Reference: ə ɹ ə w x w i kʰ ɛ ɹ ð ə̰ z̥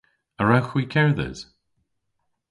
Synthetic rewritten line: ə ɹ a w x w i kʰ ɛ ɹ ð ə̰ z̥